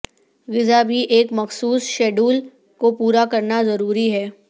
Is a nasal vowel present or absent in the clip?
absent